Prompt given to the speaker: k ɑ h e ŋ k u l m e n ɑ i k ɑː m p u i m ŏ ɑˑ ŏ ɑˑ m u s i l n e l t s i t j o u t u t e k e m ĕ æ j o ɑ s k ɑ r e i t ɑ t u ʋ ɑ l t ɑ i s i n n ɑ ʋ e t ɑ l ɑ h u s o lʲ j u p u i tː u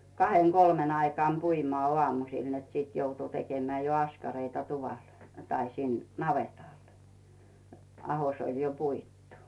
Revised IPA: k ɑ h e ŋ k o l m e n ɑ i k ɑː m p u i m ŏ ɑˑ ŏ ɑˑ m u s i l n e t s i t j o u t u t e k e m ĕ æ j o ɑ s k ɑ r e i t ɑ t u ʋ ɑ l t ɑ i s i n n ɑ ʋ e t ɑ l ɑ h o s o lʲ j o p u i tː u